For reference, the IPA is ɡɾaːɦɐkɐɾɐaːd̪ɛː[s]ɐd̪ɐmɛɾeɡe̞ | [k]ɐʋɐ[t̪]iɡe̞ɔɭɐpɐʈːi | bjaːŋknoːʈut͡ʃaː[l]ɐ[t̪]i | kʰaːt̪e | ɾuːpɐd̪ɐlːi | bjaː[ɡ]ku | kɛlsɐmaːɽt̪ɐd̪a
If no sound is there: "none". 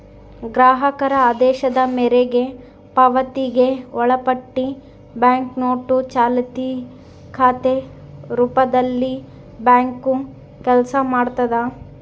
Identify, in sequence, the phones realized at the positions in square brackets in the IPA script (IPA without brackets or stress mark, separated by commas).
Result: ʃ, p, t̪, l, t̪, ŋ